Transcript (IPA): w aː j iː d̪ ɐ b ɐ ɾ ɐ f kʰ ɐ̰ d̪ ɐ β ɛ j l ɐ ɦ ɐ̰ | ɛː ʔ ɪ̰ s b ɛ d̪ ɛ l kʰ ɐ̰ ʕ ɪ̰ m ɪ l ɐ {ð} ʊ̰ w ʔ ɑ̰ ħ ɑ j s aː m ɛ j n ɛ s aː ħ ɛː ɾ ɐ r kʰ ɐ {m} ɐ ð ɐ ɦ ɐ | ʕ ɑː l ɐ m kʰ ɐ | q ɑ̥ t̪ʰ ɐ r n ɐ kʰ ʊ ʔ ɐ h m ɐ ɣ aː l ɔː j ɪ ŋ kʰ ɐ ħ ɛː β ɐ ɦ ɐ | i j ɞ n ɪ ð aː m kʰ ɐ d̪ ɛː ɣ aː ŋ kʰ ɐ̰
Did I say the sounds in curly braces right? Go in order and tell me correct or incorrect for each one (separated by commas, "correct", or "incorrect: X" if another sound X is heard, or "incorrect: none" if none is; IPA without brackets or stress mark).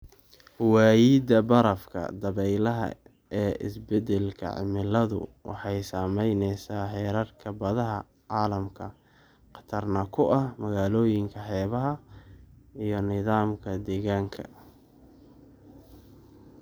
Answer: correct, incorrect: b